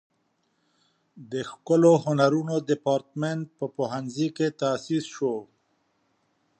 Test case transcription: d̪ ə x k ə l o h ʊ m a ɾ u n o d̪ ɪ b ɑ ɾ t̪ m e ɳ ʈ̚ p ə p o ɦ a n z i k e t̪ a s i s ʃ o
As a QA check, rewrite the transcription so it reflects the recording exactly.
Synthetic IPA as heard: d̪ ə x k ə l o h ʊ n a ɾ u n o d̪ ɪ p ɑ ɾ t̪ m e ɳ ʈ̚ p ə p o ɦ a n z i k e t̪ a s i s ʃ o